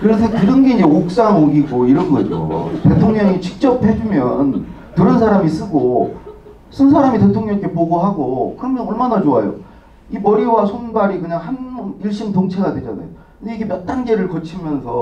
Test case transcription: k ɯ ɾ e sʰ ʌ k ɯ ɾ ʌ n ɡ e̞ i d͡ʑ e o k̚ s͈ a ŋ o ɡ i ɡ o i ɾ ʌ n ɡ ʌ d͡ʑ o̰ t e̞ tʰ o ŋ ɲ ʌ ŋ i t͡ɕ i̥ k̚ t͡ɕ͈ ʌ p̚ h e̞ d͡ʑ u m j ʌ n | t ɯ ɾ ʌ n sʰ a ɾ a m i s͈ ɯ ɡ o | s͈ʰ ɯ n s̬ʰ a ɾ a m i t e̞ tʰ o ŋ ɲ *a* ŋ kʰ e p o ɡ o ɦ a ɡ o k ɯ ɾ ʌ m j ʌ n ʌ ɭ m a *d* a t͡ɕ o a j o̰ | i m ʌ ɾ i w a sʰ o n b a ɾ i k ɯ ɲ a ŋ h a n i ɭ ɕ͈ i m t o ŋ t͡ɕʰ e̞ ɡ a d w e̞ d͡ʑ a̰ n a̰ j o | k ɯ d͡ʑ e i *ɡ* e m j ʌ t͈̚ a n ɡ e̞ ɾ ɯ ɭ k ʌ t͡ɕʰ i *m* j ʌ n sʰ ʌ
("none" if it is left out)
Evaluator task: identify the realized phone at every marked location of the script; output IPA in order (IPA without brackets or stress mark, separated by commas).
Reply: ʌ, n, ɡ, m